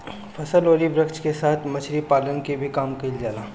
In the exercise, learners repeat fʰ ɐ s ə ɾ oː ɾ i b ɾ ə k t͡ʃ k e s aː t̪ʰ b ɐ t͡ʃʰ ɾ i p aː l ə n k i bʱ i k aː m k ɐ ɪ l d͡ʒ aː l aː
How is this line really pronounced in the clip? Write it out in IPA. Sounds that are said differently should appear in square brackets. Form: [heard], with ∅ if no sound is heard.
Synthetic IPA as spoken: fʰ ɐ s ə [l] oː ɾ i b ɾ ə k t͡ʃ k e s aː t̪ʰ [m] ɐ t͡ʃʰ ɾ i p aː l ə n k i bʱ i k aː m k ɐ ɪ l d͡ʒ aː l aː